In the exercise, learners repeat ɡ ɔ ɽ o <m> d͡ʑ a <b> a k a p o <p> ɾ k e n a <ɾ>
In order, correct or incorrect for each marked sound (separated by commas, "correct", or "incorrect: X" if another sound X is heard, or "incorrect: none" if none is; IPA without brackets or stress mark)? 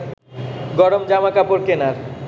correct, incorrect: m, incorrect: none, correct